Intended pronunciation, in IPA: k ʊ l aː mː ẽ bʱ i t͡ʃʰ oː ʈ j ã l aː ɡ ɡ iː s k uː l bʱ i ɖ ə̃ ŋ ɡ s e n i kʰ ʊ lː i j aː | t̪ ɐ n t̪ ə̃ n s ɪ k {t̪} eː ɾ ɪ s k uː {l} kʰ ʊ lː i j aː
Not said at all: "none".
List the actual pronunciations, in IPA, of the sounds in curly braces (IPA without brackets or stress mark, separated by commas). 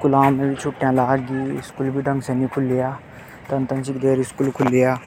d̪, l